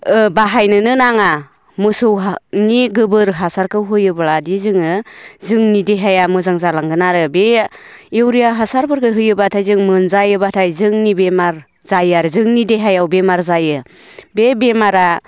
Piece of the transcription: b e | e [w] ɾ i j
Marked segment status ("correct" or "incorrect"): correct